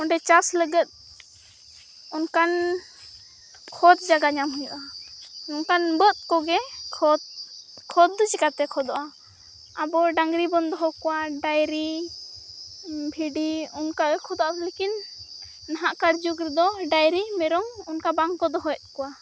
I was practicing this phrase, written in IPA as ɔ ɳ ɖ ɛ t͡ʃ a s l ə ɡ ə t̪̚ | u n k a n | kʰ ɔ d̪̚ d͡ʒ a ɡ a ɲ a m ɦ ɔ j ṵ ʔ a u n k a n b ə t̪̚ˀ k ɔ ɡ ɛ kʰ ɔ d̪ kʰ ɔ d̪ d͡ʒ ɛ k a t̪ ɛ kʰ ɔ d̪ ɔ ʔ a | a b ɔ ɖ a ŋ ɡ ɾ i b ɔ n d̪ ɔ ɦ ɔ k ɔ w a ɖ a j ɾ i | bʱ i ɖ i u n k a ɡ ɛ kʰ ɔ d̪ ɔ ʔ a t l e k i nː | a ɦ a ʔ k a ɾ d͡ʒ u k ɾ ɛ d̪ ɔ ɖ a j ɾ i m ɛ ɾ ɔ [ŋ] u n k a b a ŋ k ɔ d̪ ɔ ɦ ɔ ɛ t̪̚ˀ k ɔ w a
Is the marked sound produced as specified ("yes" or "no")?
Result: yes